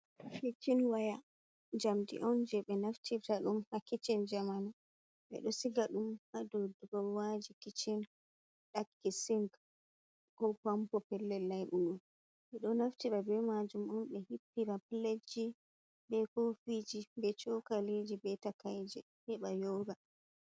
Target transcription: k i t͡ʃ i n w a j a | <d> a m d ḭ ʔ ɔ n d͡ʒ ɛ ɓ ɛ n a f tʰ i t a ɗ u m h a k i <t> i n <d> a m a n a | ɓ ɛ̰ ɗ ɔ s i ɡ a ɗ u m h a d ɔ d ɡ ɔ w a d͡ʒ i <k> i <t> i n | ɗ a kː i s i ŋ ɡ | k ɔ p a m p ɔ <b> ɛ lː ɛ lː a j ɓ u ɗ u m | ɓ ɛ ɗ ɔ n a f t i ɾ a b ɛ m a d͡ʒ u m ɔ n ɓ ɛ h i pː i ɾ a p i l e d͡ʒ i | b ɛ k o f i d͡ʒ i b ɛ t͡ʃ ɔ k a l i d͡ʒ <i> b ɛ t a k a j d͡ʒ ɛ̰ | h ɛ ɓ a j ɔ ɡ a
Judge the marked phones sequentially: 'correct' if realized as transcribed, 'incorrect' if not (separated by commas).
incorrect, incorrect, incorrect, correct, incorrect, incorrect, correct